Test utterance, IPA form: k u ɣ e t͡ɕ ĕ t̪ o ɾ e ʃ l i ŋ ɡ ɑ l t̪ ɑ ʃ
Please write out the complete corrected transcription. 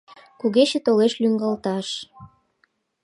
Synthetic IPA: k u ɣ e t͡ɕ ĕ t̪ o l e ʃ l y ŋ ɡ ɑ l t̪ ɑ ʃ